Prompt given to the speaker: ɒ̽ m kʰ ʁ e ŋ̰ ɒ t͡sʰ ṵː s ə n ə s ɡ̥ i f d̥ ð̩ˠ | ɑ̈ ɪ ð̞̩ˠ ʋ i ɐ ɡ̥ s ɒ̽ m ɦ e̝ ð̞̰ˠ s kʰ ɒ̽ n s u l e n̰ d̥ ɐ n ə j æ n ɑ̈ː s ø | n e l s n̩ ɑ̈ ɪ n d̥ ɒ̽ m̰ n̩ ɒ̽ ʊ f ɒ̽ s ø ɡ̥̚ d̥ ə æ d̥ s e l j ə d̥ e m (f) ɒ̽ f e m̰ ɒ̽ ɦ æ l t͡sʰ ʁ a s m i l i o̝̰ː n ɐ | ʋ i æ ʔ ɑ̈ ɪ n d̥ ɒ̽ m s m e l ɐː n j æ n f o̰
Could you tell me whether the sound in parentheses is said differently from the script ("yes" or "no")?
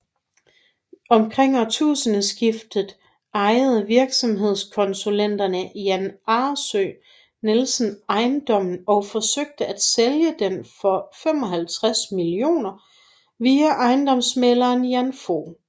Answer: no